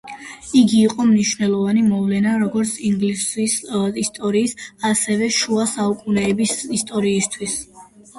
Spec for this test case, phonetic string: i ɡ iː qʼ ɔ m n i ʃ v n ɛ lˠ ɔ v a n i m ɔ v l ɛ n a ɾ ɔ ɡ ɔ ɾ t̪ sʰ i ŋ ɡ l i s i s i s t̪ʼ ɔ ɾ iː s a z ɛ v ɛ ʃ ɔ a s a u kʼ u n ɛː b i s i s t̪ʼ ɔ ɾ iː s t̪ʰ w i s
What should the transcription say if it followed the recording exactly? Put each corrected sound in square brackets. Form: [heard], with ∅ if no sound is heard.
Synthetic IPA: i ɡ iː qʼ ɔ m n i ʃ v n ɛ lˠ ɔ v a n i m ɔ v l ɛ n a ɾ ɔ ɡ ɔ ɾ t̪ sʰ i ŋ ɡ l i s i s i s t̪ʼ ɔ ɾ iː s a [s] ɛ v ɛ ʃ [u] a s a u kʼ u n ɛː b i s i s t̪ʼ ɔ ɾ iː s t̪ʰ w i s